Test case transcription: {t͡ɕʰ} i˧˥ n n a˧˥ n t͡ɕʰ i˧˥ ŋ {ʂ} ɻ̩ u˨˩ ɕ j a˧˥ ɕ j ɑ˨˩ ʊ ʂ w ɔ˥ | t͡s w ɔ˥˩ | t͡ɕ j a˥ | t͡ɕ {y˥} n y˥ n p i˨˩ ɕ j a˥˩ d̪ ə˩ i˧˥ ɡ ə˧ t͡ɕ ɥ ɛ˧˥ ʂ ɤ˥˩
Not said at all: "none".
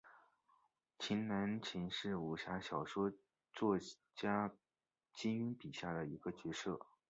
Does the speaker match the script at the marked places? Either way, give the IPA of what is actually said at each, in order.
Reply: t͡ɕʰ, ʂ, i˥

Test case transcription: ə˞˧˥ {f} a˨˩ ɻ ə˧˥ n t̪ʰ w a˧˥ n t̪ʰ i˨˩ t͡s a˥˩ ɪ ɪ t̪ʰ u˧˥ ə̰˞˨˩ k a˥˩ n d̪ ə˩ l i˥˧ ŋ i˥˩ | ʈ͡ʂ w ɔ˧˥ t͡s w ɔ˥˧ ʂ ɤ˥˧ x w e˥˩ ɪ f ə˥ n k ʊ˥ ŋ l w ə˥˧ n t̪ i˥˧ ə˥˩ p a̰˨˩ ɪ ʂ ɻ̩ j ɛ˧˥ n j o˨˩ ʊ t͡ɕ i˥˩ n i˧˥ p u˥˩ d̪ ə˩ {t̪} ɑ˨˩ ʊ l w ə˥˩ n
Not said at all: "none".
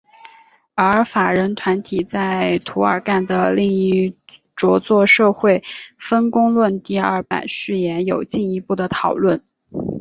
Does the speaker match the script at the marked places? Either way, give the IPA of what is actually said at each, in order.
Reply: f, t̪ʰ

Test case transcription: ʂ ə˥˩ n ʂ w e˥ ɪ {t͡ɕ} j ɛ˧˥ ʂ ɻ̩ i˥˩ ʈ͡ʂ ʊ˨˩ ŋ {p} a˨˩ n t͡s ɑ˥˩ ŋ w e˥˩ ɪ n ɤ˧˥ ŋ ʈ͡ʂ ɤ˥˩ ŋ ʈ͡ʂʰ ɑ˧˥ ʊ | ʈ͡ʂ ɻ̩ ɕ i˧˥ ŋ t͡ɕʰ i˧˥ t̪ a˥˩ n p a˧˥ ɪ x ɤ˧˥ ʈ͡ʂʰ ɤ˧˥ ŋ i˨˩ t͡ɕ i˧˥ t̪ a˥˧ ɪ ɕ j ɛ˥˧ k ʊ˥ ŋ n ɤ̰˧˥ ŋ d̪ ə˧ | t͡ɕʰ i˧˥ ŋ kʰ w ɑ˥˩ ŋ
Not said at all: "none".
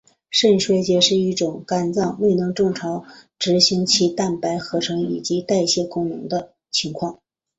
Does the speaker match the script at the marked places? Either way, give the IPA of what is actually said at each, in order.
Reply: t͡ɕ, k

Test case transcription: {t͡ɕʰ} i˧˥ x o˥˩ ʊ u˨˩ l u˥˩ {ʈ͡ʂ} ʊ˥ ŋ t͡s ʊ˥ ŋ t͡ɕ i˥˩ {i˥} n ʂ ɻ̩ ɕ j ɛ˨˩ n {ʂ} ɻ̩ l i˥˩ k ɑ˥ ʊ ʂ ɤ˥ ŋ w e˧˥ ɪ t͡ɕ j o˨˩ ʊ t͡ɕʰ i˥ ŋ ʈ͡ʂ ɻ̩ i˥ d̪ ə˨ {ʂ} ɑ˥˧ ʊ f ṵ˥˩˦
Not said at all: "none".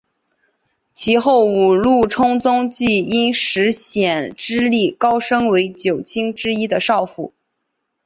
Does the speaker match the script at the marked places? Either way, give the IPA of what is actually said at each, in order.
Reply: t͡ɕʰ, ʈ͡ʂʰ, i˥, ʈ͡ʂ, ʂ

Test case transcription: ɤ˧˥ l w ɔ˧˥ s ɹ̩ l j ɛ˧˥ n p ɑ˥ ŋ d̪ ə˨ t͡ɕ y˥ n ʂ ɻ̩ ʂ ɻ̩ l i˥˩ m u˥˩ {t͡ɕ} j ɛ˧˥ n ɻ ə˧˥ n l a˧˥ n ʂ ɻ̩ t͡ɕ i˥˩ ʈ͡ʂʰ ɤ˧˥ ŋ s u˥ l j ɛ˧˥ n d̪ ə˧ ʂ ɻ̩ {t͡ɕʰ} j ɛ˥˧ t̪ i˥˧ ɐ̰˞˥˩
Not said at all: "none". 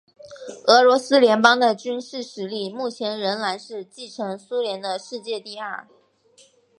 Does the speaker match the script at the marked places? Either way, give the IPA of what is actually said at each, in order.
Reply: t͡ɕʰ, t͡ɕ

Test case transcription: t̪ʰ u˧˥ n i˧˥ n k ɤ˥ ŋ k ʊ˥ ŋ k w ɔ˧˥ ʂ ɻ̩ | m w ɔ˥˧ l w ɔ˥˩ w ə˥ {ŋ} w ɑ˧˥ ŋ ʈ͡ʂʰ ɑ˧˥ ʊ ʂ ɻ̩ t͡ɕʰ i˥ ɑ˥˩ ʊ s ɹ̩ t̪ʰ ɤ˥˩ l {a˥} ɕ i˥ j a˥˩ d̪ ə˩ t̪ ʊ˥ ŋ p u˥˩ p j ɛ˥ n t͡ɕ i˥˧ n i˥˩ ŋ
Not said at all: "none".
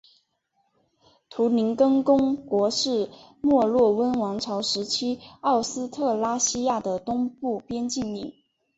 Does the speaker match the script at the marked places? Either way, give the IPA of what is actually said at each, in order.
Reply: n, a˥

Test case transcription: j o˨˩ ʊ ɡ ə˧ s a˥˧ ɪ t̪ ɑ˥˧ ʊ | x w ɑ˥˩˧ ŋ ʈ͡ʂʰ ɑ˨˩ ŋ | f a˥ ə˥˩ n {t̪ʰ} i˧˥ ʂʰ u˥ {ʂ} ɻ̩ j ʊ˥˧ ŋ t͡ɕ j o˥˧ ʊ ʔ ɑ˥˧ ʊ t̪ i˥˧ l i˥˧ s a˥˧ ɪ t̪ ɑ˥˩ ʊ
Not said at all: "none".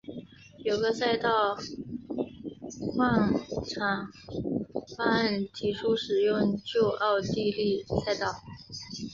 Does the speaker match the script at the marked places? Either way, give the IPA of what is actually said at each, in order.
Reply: t̪ʰ, ʂ

